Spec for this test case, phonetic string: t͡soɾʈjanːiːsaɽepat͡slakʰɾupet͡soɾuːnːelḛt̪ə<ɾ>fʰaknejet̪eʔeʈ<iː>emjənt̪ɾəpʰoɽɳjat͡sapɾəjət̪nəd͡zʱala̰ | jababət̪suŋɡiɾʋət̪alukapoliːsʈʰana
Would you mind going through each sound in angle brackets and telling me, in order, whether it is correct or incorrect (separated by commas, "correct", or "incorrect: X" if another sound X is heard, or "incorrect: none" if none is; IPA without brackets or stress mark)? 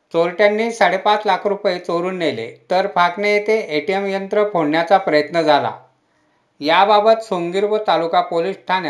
correct, incorrect: i